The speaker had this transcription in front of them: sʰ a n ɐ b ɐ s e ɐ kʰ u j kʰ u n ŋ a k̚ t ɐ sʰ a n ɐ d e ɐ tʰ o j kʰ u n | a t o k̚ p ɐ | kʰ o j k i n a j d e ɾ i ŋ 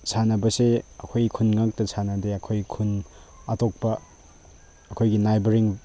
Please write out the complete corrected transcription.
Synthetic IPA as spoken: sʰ a n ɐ b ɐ s e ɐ kʰ o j kʰ u n ŋ a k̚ t ɐ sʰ a n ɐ d e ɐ kʰ o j kʰ u n | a t o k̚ p ɐ | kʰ o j ɡ i n a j b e ɾ i ŋ